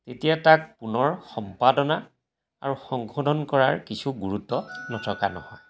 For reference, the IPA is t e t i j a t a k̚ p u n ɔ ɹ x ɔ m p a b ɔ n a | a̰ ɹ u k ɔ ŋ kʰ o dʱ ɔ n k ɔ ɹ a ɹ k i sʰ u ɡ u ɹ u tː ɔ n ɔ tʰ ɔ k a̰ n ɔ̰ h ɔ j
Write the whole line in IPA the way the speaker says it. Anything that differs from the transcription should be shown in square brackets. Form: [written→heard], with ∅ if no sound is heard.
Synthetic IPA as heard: t e t i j a t a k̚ p u n ɔ ɹ x ɔ m p a [b→d] ɔ n a | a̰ ɹ u [k→x] ɔ ŋ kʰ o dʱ ɔ n k ɔ ɹ a ɹ k i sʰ u ɡ u ɹ u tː ɔ n ɔ tʰ ɔ k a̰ n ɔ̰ h ɔ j